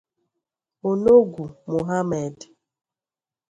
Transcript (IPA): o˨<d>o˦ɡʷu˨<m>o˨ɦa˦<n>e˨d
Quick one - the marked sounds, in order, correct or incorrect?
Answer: incorrect, correct, incorrect

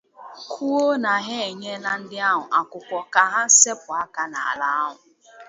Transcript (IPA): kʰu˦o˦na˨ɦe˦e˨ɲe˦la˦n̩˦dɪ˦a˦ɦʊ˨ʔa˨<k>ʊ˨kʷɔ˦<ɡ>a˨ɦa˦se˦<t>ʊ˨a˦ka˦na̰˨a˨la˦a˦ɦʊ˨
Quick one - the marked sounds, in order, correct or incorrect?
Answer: correct, incorrect, incorrect

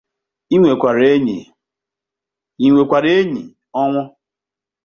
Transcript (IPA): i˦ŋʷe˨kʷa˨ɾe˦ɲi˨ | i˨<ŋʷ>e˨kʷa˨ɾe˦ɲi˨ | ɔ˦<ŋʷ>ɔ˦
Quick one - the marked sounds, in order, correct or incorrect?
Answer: correct, correct

